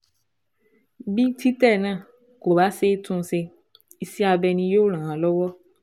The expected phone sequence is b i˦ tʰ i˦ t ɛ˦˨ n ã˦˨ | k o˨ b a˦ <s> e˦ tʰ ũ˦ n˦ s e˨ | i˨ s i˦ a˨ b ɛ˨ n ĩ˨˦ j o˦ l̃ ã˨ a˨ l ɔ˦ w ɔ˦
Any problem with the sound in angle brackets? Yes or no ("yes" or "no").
no